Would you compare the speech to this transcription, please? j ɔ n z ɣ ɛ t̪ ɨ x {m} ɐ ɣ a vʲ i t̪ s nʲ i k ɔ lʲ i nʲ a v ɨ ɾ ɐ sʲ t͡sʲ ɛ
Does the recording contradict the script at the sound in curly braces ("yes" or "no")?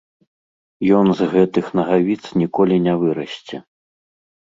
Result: yes